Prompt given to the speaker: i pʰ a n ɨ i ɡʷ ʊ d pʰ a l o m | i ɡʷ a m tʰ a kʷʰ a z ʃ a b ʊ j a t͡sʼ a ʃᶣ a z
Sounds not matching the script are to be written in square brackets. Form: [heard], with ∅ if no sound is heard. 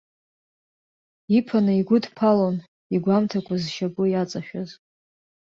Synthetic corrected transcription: i pʰ a n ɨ i ɡʷ ʊ d pʰ a l o [n] | i ɡʷ a m tʰ a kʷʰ a z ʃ a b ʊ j a t͡sʼ a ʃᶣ a z